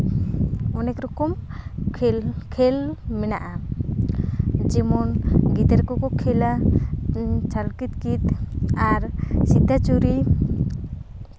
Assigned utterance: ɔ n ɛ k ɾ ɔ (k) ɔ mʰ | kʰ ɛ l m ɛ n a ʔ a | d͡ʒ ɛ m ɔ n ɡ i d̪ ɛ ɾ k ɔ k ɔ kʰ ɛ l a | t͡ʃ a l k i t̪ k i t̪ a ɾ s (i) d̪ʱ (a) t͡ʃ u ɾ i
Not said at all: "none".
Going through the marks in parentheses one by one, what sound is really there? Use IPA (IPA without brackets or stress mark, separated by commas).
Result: k, i, a